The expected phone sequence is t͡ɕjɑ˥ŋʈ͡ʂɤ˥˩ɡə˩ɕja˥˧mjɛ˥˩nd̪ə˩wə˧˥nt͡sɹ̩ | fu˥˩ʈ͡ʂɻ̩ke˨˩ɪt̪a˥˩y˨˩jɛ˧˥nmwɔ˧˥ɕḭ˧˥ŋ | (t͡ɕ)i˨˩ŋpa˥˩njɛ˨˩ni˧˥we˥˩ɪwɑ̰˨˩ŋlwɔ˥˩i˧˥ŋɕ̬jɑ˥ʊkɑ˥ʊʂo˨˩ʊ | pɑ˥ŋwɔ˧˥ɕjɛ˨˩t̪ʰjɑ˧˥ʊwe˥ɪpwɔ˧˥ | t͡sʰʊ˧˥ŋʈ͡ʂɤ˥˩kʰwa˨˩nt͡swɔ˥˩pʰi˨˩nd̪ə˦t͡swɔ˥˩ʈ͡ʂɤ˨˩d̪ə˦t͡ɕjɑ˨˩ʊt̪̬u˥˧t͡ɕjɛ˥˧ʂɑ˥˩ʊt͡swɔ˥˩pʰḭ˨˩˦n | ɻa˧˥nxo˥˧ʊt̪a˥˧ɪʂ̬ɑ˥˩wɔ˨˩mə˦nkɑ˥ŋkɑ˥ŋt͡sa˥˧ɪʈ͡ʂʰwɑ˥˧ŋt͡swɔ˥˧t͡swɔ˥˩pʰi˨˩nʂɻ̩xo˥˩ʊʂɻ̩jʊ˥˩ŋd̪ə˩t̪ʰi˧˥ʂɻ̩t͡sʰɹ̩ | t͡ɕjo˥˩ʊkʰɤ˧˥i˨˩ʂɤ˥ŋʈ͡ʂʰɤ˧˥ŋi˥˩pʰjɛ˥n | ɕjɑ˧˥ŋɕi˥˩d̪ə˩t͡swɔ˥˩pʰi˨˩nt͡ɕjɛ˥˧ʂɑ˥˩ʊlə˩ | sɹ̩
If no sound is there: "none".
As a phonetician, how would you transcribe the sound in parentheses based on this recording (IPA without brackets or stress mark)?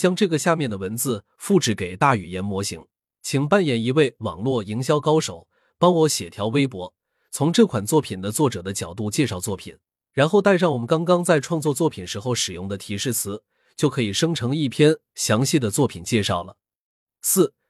t͡ɕʰ